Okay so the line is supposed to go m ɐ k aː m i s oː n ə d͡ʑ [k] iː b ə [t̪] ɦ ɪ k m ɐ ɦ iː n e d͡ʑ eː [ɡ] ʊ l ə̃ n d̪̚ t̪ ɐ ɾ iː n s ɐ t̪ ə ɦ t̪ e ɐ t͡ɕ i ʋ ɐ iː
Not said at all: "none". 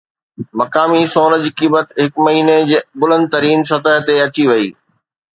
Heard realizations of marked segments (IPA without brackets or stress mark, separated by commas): k, t̪, b